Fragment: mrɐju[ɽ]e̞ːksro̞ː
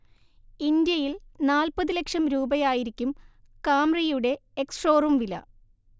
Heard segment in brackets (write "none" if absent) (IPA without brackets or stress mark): ɽ